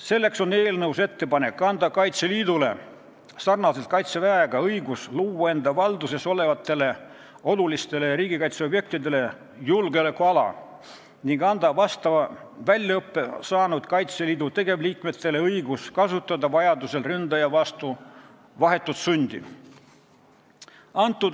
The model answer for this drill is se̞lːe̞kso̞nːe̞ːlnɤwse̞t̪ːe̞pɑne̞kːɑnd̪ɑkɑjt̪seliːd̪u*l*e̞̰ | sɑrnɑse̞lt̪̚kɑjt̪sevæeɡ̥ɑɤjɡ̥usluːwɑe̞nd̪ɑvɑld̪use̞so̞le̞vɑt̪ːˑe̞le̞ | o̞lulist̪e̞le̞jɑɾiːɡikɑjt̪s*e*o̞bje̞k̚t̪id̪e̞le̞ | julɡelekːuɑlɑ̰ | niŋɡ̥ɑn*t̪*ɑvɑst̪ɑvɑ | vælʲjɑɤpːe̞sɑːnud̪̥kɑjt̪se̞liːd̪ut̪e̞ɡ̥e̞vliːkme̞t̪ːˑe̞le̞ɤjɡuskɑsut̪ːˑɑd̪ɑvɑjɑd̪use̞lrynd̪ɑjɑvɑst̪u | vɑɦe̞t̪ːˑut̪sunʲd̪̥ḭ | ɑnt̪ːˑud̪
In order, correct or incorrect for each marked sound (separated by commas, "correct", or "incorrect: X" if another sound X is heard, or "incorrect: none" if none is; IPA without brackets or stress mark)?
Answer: correct, correct, incorrect: d̪